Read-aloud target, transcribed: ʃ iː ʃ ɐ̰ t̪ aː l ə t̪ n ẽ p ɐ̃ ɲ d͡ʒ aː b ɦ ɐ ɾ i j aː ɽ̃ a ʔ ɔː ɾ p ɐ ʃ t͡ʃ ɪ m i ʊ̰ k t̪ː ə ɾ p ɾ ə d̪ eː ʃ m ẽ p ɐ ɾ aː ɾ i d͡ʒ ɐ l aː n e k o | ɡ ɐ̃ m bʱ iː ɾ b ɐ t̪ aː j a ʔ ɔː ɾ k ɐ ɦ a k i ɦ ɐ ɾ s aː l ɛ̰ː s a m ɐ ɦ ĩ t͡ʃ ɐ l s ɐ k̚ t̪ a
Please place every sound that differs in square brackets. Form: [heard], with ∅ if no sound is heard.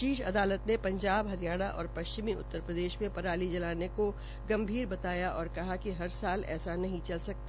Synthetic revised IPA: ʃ iː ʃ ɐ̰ [d̪] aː l ə t̪ n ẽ p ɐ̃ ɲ d͡ʒ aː b ɦ ɐ ɾ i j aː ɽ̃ a ʔ ɔː ɾ p ɐ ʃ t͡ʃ ɪ m i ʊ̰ [∅] t̪ː ə ɾ p ɾ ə d̪ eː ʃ m ẽ p ɐ ɾ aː [l] i d͡ʒ ɐ l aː n e k o | ɡ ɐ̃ m bʱ iː ɾ b ɐ t̪ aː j a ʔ ɔː ɾ k ɐ ɦ a k i ɦ ɐ ɾ s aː l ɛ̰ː s a [n] ɐ ɦ ĩ t͡ʃ ɐ l s ɐ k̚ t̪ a